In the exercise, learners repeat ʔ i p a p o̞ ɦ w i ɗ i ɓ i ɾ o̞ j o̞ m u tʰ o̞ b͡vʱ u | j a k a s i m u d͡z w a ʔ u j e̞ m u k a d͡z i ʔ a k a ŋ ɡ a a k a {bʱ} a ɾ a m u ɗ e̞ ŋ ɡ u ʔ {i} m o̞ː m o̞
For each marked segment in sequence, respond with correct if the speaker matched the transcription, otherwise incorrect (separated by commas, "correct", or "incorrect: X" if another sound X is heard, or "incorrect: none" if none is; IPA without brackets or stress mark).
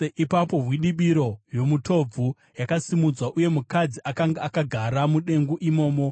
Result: incorrect: ɡʱ, correct